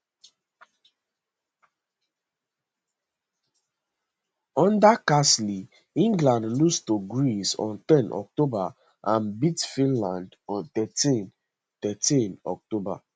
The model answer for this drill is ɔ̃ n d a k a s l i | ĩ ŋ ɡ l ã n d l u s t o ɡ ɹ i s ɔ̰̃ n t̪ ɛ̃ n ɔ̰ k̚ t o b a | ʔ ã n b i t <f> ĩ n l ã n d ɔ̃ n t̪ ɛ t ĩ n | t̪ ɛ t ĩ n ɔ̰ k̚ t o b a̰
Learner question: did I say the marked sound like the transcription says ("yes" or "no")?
yes